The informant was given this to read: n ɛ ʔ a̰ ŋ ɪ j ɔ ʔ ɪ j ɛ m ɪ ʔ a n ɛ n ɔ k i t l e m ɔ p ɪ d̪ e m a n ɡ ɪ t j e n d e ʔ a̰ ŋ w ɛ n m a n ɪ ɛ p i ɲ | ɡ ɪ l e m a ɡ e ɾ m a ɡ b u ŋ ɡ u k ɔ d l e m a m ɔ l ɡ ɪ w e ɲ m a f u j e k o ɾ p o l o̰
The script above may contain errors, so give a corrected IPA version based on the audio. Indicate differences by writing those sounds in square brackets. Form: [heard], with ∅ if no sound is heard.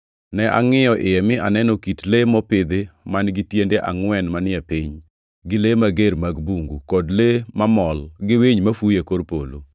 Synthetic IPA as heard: n ɛ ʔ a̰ ŋ ɪ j ɔ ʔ ɪ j ɛ m ɪ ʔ a n ɛ n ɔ k i t l e m ɔ p ɪ d̪ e m a n ɡ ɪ t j e n d e ʔ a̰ ŋ w ɛ n m a n ɪ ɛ p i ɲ | ɡ ɪ l e m a ɡ e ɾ m a ɡ b u ŋ ɡ u k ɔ d l e m a m ɔ l ɡ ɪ w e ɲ m a f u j e k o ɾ p o l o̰